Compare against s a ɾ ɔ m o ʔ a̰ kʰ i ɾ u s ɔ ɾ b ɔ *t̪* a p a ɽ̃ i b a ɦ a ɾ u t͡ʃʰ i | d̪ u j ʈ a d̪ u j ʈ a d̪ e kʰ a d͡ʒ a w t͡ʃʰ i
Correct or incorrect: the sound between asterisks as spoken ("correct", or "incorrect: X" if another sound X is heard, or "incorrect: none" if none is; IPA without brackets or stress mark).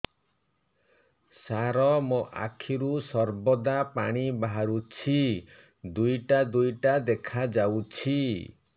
incorrect: d̪